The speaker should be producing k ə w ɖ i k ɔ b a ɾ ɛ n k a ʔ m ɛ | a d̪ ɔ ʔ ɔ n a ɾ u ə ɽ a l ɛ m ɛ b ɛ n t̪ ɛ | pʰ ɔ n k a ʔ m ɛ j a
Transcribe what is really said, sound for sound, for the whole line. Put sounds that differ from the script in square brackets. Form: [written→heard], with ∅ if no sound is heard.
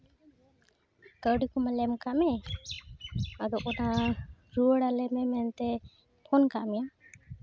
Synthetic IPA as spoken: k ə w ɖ i k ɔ [b→m] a [ɾ→l] ɛ [n→m] k a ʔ m ɛ | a d̪ ɔ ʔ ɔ n a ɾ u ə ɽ a l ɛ m ɛ [b→m] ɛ n t̪ ɛ | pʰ ɔ n k a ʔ m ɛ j a

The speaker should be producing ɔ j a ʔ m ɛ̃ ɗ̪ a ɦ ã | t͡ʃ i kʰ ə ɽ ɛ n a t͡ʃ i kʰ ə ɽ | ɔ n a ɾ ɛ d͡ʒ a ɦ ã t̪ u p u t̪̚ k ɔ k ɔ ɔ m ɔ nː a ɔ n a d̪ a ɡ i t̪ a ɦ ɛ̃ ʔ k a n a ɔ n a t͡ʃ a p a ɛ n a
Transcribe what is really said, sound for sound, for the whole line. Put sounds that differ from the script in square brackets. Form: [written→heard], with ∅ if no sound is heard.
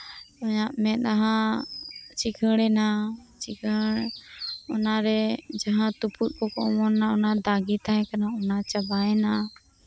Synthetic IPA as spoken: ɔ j a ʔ m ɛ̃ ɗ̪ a ɦ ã | t͡ʃ i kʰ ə ɽ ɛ n a t͡ʃ i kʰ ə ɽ | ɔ n a ɾ ɛ d͡ʒ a ɦ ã t̪ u p u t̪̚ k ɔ k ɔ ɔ m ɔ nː a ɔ n a d̪ a ɡ i t̪ a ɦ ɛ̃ [ʔ→∅] k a n a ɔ n a t͡ʃ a [p→b] a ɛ n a

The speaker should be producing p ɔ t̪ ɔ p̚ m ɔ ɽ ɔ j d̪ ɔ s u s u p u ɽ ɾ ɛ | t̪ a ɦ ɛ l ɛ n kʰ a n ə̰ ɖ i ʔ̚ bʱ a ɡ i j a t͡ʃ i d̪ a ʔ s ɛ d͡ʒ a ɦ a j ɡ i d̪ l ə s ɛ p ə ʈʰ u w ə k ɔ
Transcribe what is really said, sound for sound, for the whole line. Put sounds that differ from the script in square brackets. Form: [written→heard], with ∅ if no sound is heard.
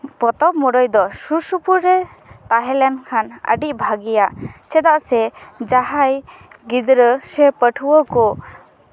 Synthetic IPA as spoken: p ɔ t̪ ɔ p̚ m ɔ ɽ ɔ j d̪ ɔ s u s u p u [ɽ→∅] ɾ ɛ | t̪ a ɦ ɛ l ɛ n kʰ a n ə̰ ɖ i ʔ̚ bʱ a ɡ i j a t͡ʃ [i→ɛ] d̪ a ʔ s ɛ d͡ʒ a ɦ a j ɡ i d̪ [l→ɾ] ə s ɛ p ə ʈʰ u w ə k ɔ

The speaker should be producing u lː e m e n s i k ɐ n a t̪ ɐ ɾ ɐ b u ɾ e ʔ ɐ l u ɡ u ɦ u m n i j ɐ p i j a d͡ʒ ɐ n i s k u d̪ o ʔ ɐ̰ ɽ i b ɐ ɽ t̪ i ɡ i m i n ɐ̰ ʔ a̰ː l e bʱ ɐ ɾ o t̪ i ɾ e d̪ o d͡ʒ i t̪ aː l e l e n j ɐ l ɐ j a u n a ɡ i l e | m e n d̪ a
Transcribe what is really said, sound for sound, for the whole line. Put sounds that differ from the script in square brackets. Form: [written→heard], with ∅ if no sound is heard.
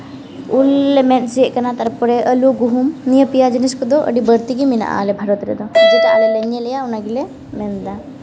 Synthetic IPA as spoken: u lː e m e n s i k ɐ n a t̪ ɐ ɾ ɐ [b→p] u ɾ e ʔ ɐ l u ɡ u ɦ u m n i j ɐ p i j a d͡ʒ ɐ n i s k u d̪ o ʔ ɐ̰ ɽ i b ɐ [ɽ→ɾ] t̪ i ɡ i m i n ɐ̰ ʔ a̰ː l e bʱ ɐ ɾ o t̪ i ɾ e d̪ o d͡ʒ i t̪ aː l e l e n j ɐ l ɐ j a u n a ɡ i l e | m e n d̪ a

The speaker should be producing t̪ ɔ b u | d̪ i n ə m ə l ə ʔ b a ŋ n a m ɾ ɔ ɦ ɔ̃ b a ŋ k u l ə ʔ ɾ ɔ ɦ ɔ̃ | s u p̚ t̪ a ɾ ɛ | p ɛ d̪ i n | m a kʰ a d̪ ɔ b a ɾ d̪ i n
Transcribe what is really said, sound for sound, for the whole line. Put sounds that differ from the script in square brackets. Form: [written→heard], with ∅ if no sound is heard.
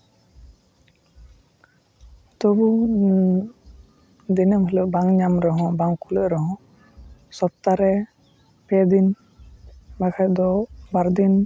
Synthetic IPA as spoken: t̪ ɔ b u | d̪ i n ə m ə l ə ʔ b a ŋ [n→ɲ] a m ɾ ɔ ɦ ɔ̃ b a ŋ k u l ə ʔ ɾ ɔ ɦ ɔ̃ | s [u→ɔ] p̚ t̪ a ɾ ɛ | p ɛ d̪ i n | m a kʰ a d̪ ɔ b a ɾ d̪ i n

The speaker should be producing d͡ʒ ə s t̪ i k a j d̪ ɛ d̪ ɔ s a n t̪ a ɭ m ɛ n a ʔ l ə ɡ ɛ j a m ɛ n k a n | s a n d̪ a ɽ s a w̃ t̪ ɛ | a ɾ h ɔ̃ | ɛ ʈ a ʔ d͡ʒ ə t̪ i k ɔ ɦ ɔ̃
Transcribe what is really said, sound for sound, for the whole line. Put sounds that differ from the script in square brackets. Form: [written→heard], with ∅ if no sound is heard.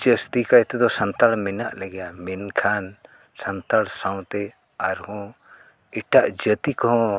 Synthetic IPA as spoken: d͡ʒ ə s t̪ i k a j [d̪→t̪] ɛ d̪ ɔ s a n t̪ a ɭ m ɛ n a ʔ l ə ɡ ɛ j a m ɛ n [k→kʰ] a n | s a n [d̪→t̪] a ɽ s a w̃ t̪ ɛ | a ɾ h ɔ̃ | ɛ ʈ a ʔ d͡ʒ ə t̪ i k ɔ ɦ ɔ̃

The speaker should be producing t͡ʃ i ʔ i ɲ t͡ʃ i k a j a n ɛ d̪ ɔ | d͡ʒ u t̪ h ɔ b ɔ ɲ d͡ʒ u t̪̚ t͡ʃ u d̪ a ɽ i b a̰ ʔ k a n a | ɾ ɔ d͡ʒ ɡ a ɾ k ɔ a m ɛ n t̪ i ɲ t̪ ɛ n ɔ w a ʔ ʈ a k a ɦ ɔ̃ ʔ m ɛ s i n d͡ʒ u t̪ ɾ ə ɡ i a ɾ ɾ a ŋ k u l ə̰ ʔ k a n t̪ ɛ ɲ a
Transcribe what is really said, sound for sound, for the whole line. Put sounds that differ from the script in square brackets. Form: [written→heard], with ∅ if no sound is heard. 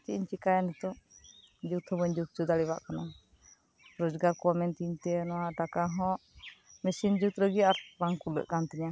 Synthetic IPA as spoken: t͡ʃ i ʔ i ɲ t͡ʃ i k a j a n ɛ [d̪→t̪] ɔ | d͡ʒ u t̪ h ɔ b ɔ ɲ d͡ʒ u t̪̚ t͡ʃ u d̪ a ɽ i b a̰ ʔ k a n a | ɾ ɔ d͡ʒ ɡ a ɾ k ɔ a m ɛ n t̪ i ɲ t̪ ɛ n ɔ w a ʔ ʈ a k a ɦ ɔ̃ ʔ m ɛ s i n d͡ʒ u t̪ ɾ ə ɡ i a ɾ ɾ a ŋ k u l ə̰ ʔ k a n t̪ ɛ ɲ a

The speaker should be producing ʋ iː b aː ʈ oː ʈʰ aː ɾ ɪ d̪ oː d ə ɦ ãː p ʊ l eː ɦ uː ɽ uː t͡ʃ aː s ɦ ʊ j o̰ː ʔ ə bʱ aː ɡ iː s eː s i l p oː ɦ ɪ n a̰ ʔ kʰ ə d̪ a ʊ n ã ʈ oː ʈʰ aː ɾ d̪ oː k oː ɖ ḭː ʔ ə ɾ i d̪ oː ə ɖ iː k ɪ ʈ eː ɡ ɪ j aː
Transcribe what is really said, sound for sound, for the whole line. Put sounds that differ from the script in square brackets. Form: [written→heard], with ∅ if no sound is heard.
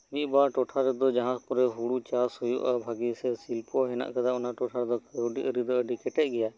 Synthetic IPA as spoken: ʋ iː b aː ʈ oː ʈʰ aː ɾ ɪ d̪ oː [d→d͡ʒ] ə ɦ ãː p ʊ [l→ɾ] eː ɦ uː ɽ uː t͡ʃ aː s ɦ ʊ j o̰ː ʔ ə bʱ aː ɡ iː s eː s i l p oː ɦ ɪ n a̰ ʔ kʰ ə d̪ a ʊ n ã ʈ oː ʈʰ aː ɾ d̪ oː k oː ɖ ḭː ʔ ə ɾ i d̪ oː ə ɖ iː k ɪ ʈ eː ɡ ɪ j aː

